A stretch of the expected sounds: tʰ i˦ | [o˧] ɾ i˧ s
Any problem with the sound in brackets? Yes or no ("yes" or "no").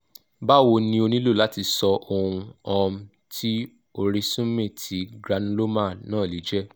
no